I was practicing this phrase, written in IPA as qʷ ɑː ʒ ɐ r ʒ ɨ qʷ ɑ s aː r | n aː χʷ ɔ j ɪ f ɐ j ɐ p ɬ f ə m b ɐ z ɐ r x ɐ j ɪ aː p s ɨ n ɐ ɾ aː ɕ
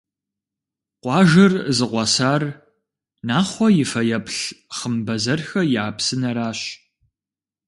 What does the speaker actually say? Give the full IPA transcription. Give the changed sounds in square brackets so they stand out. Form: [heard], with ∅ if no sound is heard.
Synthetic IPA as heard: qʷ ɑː ʒ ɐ r [z] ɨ qʷ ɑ s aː r | n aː χʷ ɔ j ɪ f ɐ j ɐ p ɬ [χ] ə m b ɐ z ɐ r x ɐ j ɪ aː p s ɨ n ɐ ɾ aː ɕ